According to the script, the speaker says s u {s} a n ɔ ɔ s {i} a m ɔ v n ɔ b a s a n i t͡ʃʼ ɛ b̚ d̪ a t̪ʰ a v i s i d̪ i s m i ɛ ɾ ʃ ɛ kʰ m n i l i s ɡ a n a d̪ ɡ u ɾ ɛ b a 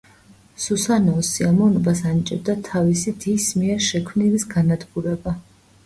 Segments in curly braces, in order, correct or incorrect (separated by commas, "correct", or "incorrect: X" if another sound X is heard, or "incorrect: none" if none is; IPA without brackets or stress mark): correct, correct